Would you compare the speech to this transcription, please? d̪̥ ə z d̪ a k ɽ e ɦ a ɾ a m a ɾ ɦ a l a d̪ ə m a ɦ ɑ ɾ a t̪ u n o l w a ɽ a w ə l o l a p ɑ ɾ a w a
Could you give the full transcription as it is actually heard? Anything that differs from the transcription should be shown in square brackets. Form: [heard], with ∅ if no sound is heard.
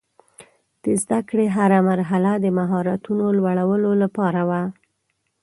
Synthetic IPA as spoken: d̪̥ ə z d̪ a k ɽ e ɦ a ɾ a m a ɾ ɦ a l a d̪ ə m a ɦ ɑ ɾ a t̪ u n o l w a ɽ a w ə l o l a p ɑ ɾ a w a